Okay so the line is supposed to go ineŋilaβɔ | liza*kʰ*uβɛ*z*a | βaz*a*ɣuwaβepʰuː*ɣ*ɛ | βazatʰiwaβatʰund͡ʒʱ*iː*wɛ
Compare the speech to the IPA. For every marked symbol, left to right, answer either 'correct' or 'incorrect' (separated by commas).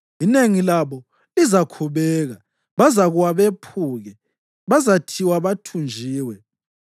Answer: correct, incorrect, correct, correct, correct